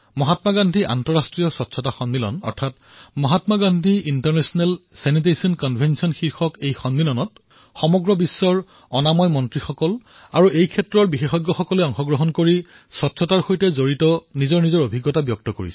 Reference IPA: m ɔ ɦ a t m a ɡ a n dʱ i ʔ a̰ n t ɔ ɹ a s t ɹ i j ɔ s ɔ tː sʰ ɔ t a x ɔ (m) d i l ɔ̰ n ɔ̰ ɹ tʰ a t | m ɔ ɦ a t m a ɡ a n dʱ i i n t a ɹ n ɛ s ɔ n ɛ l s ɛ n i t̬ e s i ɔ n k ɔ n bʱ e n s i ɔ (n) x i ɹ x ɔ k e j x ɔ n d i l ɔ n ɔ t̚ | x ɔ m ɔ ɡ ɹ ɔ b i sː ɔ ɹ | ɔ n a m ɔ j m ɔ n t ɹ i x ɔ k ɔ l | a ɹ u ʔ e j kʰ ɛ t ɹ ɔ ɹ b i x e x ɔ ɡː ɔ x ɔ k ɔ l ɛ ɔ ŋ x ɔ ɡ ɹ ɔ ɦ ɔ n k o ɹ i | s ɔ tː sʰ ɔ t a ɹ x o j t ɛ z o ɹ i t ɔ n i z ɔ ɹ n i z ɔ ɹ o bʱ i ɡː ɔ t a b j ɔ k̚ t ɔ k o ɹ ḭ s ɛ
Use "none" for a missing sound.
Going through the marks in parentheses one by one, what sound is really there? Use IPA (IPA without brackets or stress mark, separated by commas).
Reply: n, n